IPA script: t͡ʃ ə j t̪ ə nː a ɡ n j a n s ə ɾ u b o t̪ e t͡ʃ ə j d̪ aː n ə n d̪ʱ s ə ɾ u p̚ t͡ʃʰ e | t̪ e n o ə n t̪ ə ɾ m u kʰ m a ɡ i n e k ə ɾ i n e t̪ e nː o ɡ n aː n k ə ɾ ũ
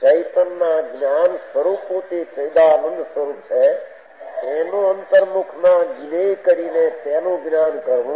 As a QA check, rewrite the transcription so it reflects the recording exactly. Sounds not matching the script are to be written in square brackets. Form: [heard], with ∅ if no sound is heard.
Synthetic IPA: t͡ʃ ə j t̪ ə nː a ɡ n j a n s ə ɾ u [p] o t̪ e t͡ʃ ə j d̪ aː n ə n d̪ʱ s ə ɾ u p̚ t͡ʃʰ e | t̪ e n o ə n t̪ ə ɾ m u kʰ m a ɡ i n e k ə ɾ i n e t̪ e [n] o ɡ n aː n k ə ɾ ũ